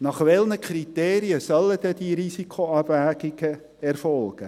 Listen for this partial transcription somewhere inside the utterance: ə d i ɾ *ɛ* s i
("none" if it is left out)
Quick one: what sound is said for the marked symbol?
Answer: i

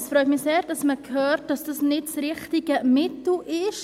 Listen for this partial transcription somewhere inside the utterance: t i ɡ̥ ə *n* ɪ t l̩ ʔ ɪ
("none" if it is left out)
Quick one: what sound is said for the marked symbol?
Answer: m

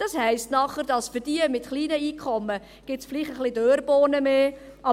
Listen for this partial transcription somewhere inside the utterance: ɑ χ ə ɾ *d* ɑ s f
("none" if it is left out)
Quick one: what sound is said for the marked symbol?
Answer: d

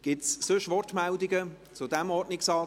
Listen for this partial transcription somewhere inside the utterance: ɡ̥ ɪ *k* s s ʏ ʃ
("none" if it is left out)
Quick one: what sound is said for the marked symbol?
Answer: t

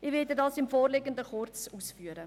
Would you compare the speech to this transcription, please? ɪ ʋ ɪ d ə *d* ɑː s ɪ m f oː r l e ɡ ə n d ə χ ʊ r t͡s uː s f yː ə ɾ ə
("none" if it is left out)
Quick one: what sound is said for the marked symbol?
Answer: d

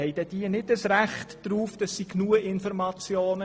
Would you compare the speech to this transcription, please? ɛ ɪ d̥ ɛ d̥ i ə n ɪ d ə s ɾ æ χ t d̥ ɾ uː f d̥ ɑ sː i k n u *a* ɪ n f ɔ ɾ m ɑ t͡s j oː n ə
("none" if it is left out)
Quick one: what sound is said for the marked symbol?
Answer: ə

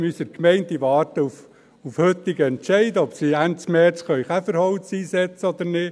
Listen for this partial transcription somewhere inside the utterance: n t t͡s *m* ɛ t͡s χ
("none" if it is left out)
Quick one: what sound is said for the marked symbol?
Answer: m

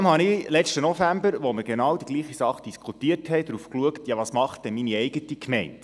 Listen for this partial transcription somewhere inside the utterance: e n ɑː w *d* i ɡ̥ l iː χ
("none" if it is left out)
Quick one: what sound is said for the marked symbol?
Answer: d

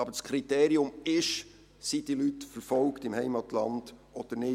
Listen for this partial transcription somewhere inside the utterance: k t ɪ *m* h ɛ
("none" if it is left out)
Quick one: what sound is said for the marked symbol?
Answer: m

